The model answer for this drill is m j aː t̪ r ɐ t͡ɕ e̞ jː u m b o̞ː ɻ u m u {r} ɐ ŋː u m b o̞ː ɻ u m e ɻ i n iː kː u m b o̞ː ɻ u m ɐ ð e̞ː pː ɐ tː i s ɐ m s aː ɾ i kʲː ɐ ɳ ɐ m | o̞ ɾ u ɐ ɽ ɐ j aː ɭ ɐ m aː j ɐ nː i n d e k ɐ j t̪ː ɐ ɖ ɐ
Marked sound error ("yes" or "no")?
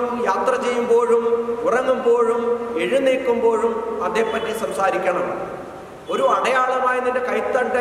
no